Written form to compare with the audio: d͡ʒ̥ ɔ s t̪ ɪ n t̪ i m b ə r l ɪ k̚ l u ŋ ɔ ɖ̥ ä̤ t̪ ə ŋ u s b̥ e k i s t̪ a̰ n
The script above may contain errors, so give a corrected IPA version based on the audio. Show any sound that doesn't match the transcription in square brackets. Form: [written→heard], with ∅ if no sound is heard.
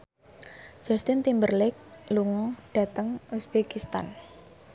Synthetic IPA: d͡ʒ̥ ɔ s t̪ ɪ n t̪ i m b ə r l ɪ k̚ l u ŋ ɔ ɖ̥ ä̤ t̪ ə ŋ u s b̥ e k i s t̪ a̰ n